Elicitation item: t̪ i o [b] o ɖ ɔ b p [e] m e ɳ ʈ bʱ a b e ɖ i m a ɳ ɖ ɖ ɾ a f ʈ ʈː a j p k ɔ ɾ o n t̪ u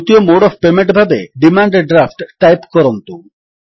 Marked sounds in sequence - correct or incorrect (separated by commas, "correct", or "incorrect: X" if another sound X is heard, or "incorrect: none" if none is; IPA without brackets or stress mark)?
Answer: incorrect: m, correct